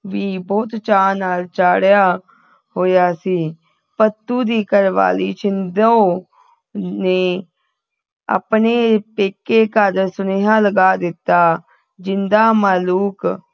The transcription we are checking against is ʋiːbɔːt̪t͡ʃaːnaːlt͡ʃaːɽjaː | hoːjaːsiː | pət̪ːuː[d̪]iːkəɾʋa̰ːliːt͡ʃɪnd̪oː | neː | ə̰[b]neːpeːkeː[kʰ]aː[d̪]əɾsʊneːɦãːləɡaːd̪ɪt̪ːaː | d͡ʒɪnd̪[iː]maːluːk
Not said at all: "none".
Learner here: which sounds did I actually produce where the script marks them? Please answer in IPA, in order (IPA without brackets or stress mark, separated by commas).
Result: d̪, p, k, d̪, aː